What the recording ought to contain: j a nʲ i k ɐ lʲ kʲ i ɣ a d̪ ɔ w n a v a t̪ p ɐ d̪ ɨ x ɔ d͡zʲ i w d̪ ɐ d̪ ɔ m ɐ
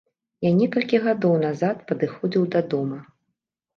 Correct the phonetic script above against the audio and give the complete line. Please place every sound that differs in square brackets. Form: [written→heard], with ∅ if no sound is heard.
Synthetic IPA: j a nʲ [i→ɛ] k ɐ lʲ kʲ i ɣ a d̪ ɔ w n a [v→z] a t̪ p ɐ d̪ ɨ x ɔ d͡zʲ i w d̪ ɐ d̪ ɔ m ɐ